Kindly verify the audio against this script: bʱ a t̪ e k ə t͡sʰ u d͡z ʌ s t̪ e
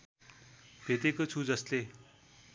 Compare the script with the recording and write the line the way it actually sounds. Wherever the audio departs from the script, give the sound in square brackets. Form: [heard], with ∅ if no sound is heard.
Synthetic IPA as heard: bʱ [e] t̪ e k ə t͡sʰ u d͡z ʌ s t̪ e